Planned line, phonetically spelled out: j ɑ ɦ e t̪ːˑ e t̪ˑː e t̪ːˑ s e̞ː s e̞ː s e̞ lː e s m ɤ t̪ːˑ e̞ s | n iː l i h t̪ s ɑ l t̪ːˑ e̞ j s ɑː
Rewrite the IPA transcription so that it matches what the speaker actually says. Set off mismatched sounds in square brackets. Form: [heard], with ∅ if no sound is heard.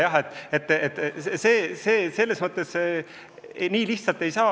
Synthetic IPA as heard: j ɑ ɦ e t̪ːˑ e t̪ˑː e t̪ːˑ s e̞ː s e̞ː s e̞ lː e s m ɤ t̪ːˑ e̞ s | n iː l i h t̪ s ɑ l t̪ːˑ e̞ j s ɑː